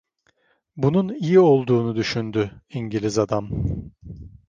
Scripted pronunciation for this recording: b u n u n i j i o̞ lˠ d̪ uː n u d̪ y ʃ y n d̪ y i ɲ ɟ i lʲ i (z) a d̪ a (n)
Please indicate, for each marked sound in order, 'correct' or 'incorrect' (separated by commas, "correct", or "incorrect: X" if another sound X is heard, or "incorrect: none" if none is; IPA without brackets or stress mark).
correct, incorrect: m